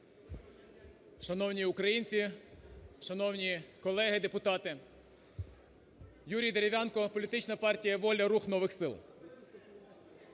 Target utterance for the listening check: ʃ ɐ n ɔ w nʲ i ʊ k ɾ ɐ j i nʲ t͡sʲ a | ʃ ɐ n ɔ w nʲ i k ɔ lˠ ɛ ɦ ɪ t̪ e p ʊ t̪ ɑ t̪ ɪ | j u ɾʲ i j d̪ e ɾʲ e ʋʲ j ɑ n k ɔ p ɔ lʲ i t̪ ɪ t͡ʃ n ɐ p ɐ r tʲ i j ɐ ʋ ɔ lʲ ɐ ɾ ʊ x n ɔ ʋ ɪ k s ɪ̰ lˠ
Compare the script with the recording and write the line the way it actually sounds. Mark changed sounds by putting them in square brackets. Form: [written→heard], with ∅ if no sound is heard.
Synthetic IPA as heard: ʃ ɐ n ɔ w nʲ i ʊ k ɾ ɐ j i nʲ t͡sʲ [a→i] | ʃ ɐ n ɔ w nʲ i k ɔ lˠ ɛ ɦ ɪ [t̪→d̪] e p ʊ t̪ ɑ t̪ ɪ | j u ɾʲ i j d̪ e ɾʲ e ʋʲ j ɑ n k ɔ p ɔ lʲ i t̪ ɪ t͡ʃ n ɐ p [ɐ→ɑ] r tʲ i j ɐ ʋ ɔ lʲ ɐ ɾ [ʊ→u] x n ɔ ʋ ɪ [k→x] s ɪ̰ lˠ